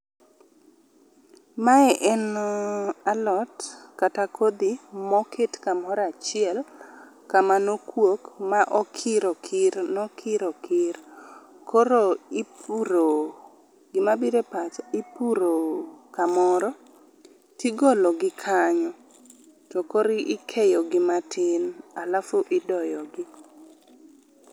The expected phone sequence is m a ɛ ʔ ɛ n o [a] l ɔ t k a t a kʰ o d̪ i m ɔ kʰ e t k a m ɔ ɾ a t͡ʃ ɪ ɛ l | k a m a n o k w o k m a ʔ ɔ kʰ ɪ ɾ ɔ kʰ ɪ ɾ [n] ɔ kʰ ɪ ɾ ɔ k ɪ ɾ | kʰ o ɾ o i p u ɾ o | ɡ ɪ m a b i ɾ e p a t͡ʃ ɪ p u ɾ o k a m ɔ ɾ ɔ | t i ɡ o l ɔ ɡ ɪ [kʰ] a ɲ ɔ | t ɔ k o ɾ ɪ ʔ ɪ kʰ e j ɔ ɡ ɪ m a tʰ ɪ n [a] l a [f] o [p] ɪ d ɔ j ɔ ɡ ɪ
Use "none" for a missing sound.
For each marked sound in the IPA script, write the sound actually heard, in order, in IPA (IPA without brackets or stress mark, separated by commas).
a, n, kʰ, a, f, ʔ